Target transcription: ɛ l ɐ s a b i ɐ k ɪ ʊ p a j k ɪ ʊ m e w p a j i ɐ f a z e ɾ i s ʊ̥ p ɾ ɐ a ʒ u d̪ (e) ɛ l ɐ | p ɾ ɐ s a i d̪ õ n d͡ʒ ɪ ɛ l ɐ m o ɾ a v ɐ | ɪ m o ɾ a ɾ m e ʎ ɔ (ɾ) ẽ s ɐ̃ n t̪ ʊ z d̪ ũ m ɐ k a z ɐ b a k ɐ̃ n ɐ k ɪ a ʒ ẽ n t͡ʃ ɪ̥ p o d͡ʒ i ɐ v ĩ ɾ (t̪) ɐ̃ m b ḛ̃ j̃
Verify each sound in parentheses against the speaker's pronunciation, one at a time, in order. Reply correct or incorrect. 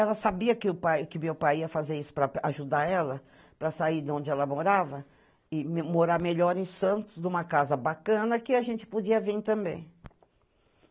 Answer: incorrect, correct, correct

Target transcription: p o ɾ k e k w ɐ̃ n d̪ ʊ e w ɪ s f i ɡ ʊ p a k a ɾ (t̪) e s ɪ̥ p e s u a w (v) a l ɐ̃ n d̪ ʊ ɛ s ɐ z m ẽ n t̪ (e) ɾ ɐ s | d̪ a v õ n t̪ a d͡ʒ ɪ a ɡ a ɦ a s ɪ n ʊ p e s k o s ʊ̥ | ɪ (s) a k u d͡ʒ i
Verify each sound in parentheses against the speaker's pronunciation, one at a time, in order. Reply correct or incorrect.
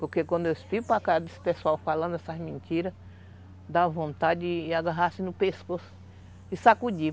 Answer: incorrect, incorrect, incorrect, correct

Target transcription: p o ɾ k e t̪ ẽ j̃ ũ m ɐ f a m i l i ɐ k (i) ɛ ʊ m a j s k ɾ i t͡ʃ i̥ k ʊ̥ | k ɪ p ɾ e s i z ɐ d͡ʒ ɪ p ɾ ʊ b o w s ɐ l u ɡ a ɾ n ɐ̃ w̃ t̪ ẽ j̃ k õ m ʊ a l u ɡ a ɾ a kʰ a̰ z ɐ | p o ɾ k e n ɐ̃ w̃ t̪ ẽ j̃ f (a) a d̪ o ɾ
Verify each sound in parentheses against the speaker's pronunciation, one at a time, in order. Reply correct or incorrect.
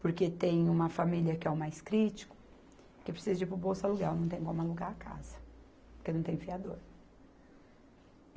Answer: incorrect, incorrect

